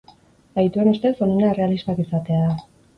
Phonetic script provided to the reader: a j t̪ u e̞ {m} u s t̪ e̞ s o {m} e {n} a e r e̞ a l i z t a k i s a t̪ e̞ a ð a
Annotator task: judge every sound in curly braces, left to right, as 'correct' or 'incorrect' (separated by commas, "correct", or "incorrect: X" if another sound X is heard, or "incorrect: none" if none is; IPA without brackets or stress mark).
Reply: incorrect: n, incorrect: n, correct